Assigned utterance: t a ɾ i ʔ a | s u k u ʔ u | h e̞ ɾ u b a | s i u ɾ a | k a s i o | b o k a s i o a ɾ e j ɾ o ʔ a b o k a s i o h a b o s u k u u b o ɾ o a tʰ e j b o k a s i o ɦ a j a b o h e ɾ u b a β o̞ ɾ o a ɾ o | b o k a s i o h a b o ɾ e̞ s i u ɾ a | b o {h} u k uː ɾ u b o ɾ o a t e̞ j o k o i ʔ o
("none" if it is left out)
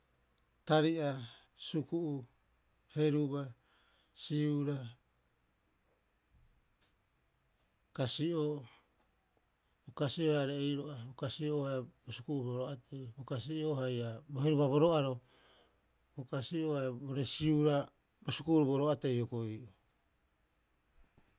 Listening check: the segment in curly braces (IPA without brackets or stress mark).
s